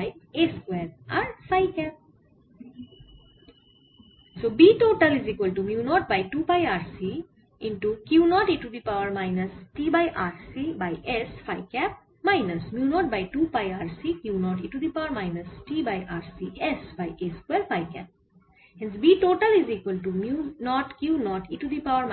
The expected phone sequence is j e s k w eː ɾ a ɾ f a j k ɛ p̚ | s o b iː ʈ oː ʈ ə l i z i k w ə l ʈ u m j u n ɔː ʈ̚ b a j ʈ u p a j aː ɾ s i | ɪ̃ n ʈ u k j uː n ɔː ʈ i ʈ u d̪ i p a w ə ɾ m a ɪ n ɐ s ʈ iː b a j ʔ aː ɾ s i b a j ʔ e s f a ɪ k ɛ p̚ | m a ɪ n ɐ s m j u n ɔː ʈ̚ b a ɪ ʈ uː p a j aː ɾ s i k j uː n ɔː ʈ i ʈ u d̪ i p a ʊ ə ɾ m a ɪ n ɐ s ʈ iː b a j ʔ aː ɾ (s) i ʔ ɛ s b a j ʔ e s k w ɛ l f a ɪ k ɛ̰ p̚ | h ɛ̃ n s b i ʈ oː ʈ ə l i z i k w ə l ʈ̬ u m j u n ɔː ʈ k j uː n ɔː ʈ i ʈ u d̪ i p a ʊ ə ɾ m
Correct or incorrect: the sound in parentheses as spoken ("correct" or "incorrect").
correct